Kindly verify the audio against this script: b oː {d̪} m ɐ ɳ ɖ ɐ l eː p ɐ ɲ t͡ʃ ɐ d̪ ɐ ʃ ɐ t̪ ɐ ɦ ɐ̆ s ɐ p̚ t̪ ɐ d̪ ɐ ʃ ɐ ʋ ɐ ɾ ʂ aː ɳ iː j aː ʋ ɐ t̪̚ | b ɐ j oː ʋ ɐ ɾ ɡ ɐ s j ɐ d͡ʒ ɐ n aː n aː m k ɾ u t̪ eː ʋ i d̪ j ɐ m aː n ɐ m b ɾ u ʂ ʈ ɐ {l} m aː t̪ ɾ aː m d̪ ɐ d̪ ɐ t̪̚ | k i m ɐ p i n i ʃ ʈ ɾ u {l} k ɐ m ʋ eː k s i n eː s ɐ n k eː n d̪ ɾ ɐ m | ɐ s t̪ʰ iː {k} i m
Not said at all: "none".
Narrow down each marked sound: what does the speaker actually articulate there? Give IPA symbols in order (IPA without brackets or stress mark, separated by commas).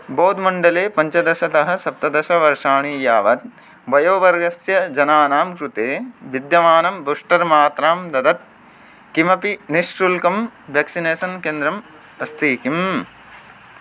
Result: d̪, ɾ, l, k